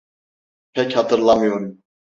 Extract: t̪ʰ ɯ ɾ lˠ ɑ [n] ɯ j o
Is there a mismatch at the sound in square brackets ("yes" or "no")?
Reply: yes